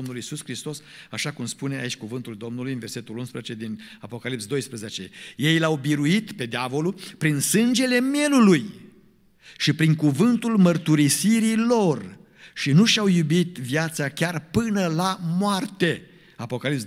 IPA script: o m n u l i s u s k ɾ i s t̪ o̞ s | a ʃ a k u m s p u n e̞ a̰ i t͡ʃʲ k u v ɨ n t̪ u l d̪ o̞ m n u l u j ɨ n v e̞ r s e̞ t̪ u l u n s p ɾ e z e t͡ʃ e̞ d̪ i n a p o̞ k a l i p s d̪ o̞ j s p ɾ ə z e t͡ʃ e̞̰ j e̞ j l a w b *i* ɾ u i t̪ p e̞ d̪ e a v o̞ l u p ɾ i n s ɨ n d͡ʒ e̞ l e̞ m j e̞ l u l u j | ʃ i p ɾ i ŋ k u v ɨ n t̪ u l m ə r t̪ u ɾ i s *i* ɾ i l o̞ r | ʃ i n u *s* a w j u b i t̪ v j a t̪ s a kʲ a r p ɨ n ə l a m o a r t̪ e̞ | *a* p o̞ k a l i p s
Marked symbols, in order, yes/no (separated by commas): yes, yes, no, yes